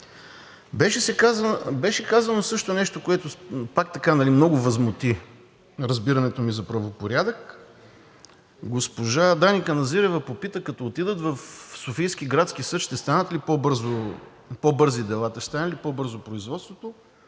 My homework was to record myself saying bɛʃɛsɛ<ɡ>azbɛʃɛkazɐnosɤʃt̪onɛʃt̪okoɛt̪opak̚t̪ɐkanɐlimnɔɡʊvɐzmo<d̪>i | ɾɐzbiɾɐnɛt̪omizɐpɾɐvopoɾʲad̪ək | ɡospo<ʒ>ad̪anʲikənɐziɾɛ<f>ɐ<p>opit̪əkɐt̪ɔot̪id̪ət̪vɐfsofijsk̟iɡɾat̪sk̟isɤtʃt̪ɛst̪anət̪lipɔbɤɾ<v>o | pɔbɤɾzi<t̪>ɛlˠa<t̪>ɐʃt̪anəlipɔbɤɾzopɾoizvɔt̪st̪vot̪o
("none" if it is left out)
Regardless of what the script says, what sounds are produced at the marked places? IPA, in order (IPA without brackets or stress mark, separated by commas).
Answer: k, t̪, ʒ, v, p, z, d̪, t̪